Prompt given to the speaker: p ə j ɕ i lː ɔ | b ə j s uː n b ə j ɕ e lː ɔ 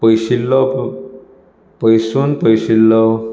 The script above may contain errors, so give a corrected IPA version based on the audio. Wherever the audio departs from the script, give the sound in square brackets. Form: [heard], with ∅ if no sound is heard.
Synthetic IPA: p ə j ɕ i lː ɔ | [p] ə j s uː n [p] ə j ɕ [i] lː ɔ

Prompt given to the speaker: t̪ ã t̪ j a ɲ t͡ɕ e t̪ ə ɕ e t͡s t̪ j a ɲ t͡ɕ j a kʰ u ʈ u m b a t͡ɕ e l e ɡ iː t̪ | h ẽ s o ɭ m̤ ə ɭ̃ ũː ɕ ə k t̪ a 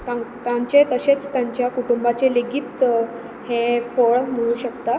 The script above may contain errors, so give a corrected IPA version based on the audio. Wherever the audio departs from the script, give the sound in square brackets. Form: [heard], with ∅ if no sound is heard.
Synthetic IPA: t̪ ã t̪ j a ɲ t͡ɕ e t̪ ə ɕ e t͡s t̪ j a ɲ t͡ɕ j a [k] u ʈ u m b a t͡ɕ e l e ɡ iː t̪ | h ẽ [f] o ɭ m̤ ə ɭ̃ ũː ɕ ə k t̪ a

